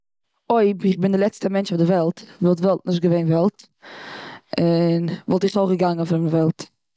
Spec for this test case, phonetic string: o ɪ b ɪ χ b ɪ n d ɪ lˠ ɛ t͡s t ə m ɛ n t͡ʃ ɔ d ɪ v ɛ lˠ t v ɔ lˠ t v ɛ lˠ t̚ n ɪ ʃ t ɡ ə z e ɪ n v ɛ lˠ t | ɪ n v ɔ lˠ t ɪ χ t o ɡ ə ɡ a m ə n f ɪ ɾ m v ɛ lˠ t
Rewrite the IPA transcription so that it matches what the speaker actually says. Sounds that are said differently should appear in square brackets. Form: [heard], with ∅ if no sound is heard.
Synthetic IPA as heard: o ɪ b ɪ χ b ɪ n d ɪ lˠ ɛ t͡s t ə m ɛ n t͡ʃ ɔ d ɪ v ɛ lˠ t v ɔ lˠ t v ɛ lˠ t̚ n ɪ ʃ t ɡ ə [v] e ɪ n v ɛ lˠ t | ɪ n v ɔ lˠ t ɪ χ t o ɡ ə ɡ a [ŋ] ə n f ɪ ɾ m v ɛ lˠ t